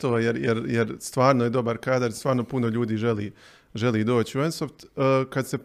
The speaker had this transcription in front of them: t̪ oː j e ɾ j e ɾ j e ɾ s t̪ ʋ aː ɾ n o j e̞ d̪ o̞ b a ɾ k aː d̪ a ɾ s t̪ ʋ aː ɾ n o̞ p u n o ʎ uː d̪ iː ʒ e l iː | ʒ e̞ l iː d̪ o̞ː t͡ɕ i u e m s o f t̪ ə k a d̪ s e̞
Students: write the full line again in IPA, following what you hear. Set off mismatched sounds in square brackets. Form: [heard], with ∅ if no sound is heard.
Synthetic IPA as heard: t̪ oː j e ɾ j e ɾ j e ɾ s t̪ ʋ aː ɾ n o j e̞ d̪ o̞ b a ɾ k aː d̪ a ɾ s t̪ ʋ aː ɾ n o̞ p u n o ʎ uː d̪ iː ʒ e l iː | ʒ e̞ l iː d̪ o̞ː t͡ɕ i u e [n] s o f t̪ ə k a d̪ s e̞